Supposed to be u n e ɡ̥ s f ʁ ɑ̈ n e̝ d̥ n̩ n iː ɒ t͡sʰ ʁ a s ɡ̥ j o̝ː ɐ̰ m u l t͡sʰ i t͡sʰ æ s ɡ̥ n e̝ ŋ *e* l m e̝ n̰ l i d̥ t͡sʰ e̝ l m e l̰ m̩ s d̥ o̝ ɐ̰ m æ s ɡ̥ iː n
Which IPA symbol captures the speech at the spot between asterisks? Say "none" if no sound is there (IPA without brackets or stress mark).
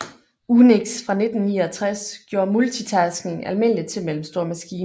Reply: æ